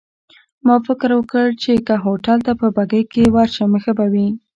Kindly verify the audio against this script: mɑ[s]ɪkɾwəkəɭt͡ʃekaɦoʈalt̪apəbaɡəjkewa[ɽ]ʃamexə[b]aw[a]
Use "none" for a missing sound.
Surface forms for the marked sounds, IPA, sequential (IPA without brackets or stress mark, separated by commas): f, ɾ, b, i